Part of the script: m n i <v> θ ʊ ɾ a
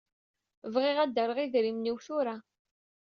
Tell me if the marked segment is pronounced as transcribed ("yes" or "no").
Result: no